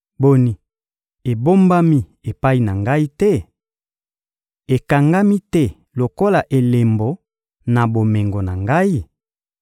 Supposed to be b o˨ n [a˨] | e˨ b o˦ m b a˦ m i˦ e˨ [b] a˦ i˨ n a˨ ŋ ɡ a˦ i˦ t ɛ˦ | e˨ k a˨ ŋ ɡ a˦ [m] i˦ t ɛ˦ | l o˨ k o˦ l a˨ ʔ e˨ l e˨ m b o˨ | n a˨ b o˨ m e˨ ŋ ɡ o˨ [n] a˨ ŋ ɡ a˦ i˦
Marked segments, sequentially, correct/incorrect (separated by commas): incorrect, incorrect, correct, correct